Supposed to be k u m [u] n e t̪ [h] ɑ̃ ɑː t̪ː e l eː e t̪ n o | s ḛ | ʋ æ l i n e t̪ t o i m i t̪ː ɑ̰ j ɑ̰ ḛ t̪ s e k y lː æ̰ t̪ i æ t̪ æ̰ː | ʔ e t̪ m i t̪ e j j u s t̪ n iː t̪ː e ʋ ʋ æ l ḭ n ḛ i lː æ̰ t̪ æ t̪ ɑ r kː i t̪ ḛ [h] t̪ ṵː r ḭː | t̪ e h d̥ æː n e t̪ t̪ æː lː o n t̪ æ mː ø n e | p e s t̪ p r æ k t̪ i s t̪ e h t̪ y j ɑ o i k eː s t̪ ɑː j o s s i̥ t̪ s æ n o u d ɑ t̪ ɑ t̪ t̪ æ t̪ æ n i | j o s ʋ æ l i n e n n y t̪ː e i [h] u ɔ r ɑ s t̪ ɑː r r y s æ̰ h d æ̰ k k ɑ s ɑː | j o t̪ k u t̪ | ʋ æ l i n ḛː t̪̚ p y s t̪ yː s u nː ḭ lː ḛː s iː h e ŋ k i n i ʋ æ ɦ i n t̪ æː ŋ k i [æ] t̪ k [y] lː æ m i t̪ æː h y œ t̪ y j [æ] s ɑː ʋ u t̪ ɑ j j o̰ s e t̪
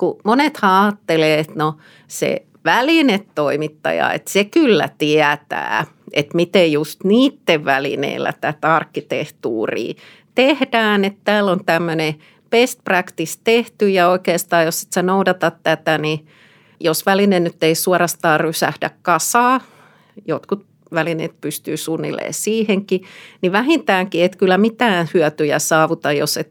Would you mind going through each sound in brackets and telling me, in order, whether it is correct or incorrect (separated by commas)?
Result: incorrect, correct, correct, incorrect, incorrect, correct, correct